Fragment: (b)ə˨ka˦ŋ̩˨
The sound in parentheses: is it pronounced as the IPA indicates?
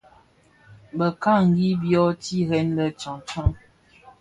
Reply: yes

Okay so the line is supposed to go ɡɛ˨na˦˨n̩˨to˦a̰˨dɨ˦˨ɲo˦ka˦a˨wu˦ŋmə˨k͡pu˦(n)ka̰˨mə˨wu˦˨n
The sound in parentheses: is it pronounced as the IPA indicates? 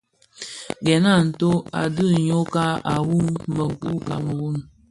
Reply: no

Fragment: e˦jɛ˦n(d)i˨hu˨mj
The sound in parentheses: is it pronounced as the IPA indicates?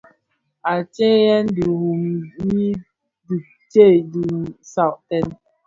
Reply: yes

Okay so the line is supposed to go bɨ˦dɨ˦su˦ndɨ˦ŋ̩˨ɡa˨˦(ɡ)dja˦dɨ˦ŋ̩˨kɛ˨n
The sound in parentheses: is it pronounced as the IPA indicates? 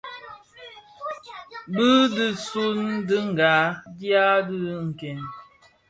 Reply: no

